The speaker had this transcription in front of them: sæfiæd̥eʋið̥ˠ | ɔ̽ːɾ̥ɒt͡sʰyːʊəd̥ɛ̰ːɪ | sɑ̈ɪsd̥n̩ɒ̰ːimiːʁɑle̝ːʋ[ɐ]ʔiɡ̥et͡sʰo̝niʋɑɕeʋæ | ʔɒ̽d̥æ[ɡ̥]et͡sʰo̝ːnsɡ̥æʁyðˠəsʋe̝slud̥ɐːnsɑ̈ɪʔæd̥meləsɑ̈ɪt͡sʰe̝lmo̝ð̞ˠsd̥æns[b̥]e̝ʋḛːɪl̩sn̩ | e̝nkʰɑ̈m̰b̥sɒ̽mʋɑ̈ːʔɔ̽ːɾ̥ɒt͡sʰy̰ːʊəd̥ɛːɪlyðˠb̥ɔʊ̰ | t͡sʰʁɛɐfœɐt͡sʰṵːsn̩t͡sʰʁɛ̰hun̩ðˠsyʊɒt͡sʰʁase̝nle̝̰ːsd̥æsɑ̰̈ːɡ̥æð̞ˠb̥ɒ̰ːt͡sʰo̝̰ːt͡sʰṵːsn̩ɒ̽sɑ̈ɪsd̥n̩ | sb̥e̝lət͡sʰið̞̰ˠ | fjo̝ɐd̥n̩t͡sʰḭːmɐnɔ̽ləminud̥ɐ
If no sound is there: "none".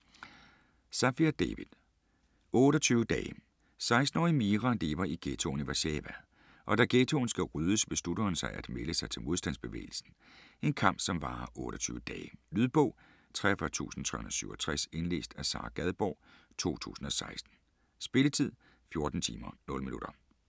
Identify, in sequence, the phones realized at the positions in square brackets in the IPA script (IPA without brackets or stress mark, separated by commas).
ɐ, ɡ̥, b̥